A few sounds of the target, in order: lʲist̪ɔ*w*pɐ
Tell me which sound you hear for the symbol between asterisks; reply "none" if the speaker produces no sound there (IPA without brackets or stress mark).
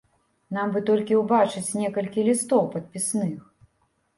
w